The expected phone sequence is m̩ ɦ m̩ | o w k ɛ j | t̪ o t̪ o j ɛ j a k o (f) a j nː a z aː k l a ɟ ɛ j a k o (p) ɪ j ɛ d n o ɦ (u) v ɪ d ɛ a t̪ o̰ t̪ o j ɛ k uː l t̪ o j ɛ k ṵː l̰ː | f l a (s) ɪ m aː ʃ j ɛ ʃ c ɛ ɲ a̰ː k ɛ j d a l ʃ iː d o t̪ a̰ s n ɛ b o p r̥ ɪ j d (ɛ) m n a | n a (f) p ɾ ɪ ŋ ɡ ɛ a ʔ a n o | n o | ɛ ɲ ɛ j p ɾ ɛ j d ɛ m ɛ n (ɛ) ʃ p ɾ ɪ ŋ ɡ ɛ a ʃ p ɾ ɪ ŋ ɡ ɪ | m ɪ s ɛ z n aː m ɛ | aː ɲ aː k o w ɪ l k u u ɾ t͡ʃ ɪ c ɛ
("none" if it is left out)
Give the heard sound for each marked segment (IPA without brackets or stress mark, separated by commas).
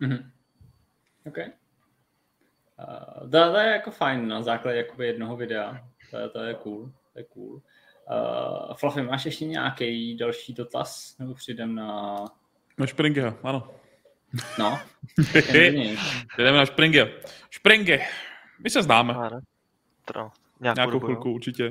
f, b, o, f, ɛ, ʃ, a